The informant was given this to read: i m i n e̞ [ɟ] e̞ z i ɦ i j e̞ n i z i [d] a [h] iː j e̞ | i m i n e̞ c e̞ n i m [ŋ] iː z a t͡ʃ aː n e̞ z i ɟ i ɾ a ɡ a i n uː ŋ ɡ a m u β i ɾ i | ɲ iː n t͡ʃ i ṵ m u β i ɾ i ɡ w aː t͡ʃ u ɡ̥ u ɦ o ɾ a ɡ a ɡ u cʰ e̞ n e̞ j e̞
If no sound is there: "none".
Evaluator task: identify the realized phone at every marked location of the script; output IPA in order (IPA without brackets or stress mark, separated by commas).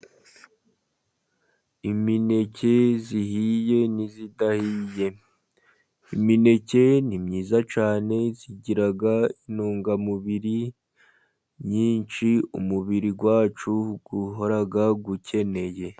c, d, h, ɲ